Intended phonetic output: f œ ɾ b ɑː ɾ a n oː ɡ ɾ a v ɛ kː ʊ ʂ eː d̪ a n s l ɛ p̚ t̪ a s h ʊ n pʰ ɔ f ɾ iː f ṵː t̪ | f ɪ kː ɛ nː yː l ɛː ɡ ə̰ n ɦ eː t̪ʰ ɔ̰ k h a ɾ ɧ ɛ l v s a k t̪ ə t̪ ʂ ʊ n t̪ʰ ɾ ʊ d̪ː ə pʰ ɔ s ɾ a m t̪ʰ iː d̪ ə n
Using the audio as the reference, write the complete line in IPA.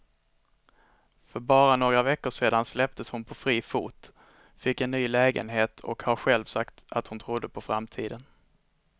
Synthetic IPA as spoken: f œ ɾ b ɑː ɾ a n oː ɡ ɾ a v ɛ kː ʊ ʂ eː d̪ a n s l ɛ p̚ t̪ ə s h ʊ n pʰ ɔ f ɾ iː f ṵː t̪ | f ɪ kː ɛ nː yː l ɛː ɡ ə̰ n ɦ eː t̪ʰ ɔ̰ k h a ɾ ɧ ɛ l v s a k t̪ a t̪ h ʊ n t̪ʰ ɾ ʊ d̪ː ə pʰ ɔ f ɾ a m t̪ʰ iː d̪ ə n